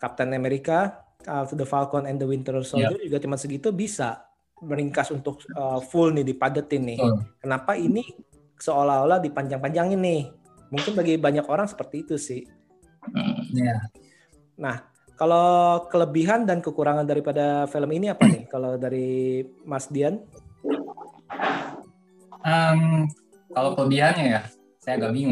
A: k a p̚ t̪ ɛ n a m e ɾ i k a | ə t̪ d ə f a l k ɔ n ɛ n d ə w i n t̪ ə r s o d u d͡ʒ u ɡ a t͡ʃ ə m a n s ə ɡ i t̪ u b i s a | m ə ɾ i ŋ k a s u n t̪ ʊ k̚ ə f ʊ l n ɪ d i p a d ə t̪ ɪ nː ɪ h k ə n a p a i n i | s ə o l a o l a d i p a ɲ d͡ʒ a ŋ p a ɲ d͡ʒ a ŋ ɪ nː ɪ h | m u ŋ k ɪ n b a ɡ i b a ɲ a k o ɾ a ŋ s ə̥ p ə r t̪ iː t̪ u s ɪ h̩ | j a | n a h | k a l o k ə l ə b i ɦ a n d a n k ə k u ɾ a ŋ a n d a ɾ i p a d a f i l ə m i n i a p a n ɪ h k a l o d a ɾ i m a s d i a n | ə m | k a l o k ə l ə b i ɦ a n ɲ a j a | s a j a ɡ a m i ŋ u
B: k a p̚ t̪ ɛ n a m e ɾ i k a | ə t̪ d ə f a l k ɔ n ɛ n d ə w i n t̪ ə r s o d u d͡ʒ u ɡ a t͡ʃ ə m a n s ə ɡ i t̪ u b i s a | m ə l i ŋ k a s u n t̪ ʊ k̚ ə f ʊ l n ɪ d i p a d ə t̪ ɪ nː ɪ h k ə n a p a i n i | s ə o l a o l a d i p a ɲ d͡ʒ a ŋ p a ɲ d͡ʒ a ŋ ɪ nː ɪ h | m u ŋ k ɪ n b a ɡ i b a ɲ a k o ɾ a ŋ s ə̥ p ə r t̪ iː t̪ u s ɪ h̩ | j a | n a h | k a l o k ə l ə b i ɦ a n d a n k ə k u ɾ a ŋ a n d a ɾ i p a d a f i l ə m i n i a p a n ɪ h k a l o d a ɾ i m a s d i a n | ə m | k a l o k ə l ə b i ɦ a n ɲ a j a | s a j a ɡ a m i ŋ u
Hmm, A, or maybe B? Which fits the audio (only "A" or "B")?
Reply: A